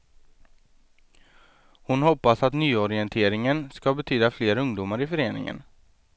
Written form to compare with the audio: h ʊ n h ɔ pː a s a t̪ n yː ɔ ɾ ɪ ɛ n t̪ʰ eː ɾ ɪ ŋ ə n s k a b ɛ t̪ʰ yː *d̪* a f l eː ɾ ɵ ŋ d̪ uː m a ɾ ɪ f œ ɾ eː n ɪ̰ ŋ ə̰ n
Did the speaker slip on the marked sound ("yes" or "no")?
no